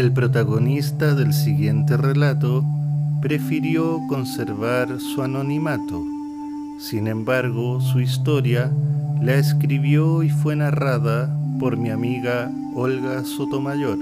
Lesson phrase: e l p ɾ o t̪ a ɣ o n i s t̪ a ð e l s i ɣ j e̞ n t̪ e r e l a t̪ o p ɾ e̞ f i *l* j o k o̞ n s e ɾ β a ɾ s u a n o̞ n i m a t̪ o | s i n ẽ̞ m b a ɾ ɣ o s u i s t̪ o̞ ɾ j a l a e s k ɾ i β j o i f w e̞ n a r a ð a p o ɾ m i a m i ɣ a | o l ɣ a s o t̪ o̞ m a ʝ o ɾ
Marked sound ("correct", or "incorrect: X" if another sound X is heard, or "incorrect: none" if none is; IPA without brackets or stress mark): incorrect: ɾ